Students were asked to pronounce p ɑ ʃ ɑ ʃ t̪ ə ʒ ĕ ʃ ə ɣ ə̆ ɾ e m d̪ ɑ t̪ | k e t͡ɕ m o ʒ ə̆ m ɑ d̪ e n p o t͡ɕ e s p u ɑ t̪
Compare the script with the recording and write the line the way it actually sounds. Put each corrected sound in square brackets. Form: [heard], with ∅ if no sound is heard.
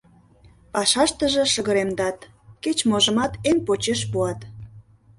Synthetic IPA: p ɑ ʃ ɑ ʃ t̪ ə ʒ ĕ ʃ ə ɣ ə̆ ɾ e m d̪ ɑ t̪ | k e t͡ɕ m o ʒ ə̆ m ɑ [t̪] e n p o t͡ɕ e [ʃ] p u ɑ t̪